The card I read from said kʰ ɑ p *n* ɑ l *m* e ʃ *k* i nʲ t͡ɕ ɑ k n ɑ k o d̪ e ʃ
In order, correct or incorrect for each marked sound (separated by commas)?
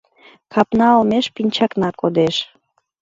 correct, correct, incorrect